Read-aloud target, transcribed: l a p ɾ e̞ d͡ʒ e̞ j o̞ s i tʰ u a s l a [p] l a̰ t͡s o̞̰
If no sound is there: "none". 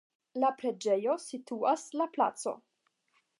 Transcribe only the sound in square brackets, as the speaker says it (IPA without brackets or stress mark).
p